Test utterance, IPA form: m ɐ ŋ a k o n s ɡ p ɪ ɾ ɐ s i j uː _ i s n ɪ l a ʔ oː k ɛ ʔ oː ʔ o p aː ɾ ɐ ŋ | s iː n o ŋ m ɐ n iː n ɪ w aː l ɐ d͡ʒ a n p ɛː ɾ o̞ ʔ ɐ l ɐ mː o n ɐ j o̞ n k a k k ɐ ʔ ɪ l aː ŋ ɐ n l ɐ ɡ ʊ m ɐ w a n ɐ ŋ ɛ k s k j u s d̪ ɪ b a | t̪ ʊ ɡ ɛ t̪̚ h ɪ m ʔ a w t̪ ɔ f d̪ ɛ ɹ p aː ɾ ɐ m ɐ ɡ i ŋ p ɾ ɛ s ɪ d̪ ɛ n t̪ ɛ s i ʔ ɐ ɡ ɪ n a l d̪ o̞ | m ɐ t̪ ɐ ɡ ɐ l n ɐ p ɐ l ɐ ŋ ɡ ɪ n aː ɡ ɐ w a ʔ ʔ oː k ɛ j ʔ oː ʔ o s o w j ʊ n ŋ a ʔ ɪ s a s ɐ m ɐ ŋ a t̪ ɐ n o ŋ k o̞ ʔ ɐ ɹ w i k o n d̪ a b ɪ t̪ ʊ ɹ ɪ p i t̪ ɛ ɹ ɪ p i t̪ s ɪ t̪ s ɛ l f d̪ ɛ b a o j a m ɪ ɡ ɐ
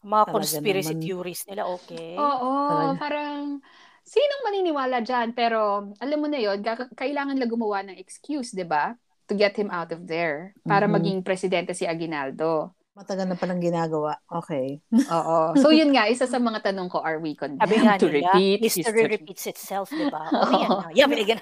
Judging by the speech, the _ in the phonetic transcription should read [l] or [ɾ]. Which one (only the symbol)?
ɾ